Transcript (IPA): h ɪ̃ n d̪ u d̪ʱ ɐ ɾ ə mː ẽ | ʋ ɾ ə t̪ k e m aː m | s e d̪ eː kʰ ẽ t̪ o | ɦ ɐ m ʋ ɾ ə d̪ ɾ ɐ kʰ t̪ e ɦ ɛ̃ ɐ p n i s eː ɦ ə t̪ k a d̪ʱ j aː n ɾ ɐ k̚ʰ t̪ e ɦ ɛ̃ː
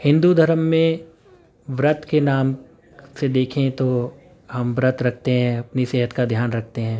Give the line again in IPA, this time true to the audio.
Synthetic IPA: h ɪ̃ n d̪ u d̪ʱ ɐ ɾ ə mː ẽ | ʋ ɾ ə t̪ k e n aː m | s e d̪ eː kʰ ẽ t̪ o | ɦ ɐ m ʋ ɾ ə t̪ ɾ ɐ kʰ t̪ e ɦ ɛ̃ ɐ p n i s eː ɦ ə t̪ k a d̪ʱ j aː n ɾ ɐ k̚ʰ t̪ e ɦ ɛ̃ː